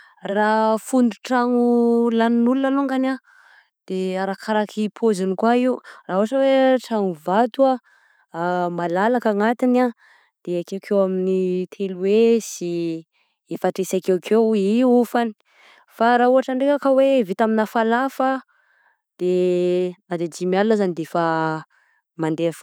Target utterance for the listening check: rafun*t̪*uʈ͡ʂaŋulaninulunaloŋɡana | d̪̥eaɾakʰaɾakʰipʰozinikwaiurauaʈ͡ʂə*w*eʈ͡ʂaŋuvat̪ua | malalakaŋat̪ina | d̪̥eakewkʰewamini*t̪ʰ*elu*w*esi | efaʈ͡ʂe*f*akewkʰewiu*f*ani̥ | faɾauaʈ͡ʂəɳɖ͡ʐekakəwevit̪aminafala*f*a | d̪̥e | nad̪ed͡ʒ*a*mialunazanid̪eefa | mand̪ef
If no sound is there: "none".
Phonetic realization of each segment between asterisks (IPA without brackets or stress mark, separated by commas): d̪, w, t̪ʰ, w, s, f, f, i